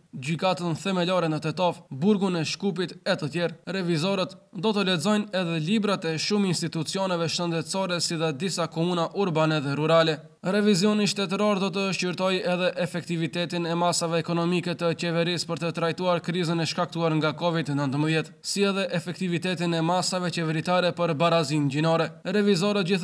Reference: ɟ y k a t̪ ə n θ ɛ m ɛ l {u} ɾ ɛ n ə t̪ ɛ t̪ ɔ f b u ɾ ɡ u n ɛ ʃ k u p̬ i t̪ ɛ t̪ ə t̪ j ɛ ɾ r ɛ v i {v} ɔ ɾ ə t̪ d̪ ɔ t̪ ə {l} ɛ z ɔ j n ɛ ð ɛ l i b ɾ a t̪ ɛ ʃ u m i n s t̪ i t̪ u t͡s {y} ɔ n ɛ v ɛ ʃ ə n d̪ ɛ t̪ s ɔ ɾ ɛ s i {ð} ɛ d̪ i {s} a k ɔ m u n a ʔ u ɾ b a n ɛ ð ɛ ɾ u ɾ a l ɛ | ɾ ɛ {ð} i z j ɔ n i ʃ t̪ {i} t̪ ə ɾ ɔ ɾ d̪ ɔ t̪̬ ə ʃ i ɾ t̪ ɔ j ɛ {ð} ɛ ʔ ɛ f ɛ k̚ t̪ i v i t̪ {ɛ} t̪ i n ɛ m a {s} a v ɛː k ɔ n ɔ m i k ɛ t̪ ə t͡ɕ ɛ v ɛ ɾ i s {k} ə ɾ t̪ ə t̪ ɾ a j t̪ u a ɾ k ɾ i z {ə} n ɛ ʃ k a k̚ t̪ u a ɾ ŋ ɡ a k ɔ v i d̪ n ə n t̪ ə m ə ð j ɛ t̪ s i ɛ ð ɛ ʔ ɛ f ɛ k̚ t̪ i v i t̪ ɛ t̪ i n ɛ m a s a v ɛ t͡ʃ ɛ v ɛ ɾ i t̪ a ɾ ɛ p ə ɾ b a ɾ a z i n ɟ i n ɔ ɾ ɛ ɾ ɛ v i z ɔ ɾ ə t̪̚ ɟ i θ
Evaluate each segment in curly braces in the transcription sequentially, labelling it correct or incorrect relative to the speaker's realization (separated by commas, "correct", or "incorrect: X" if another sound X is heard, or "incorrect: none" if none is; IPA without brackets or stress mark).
incorrect: ɔ, incorrect: z, correct, incorrect: i, correct, correct, incorrect: v, incorrect: ɛ, correct, correct, correct, incorrect: p, correct